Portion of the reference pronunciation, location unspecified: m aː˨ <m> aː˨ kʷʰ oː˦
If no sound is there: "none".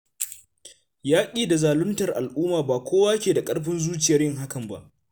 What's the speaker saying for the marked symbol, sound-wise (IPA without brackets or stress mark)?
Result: b